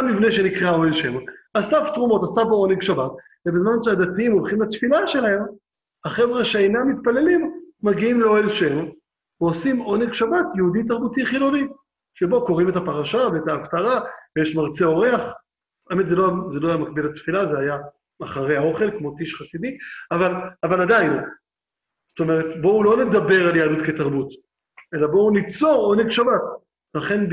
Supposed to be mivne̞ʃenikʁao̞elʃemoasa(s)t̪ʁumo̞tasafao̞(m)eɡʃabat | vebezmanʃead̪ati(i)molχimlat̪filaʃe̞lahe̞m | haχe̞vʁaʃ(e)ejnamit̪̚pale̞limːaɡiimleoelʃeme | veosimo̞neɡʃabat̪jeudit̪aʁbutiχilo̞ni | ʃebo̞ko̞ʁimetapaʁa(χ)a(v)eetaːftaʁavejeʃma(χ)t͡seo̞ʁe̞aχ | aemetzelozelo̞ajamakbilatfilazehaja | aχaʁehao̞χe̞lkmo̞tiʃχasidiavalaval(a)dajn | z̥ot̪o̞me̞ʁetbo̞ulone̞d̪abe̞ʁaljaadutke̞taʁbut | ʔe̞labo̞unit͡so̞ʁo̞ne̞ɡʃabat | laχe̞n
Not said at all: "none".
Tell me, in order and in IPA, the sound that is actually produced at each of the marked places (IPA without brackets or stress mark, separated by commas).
f, n, i, e, ʃ, v, ʁ, a